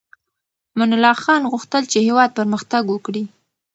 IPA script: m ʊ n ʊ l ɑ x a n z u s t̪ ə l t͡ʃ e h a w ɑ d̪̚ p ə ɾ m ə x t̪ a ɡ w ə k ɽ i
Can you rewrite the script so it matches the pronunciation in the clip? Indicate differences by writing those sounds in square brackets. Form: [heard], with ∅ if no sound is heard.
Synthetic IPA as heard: m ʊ n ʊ l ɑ x [ɑ] n [ɣ] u [x] t̪ ə l t͡ʃ e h [e] w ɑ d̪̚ p ə ɾ m ə x t̪ a ɡ w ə k ɽ i